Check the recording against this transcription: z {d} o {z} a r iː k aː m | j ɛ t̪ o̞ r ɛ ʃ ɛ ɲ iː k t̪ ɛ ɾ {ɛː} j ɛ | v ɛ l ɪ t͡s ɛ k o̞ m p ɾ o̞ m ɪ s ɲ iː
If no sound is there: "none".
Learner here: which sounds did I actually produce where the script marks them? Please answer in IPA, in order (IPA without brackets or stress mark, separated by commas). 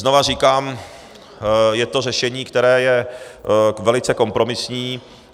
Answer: n, v, ɛː